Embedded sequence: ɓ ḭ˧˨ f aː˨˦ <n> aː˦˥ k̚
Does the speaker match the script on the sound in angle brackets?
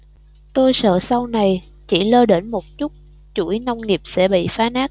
yes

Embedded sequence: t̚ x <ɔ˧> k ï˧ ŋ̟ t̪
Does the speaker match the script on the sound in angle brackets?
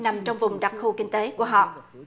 no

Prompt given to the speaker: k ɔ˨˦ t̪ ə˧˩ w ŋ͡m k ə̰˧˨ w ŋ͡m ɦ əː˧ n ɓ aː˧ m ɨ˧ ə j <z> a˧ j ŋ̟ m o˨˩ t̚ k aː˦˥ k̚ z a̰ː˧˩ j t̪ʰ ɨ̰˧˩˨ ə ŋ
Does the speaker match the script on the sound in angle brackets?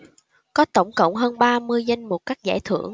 yes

